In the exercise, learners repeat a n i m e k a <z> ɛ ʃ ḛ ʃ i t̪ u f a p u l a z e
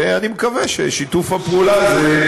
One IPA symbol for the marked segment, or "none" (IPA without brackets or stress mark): v